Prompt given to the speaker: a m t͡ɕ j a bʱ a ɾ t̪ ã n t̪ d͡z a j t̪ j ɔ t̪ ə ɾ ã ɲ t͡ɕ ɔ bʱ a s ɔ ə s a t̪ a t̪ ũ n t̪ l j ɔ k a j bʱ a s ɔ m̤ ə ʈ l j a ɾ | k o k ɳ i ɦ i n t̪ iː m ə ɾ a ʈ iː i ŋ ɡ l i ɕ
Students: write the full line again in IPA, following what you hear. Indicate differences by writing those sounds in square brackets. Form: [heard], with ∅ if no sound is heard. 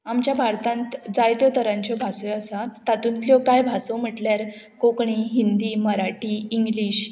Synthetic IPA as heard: a m t͡ɕ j a bʱ a ɾ t̪ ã n t̪ d͡z a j t̪ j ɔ t̪ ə ɾ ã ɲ t͡ɕ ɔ bʱ a s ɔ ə s a t̪ a t̪ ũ n t̪ l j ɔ k a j bʱ a s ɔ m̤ ə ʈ l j a ɾ | k o k ɳ i ɦ i n [d̪] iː m ə ɾ a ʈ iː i ŋ ɡ l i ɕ